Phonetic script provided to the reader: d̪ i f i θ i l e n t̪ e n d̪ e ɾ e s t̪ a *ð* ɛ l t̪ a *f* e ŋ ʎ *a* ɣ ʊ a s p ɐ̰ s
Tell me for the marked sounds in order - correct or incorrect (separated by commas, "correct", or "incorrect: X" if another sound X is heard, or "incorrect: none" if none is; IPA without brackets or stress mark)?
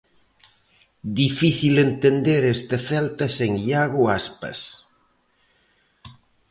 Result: incorrect: θ, incorrect: s, correct